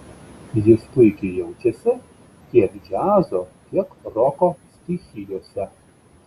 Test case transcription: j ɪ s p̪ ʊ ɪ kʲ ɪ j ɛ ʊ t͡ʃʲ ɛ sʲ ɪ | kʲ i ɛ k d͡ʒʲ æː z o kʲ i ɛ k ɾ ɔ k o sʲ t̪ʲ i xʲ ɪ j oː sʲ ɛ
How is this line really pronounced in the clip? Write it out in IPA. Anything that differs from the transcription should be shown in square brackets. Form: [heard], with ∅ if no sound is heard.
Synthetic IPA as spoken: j ɪ s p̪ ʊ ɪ kʲ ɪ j ɛ ʊ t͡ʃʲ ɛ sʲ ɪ | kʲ i ɛ k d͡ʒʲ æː z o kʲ i ɛ k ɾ ɔ k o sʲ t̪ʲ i xʲ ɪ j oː sʲ ɛ